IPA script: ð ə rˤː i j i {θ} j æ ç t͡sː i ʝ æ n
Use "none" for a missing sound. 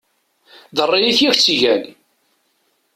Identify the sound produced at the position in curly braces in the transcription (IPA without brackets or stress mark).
θ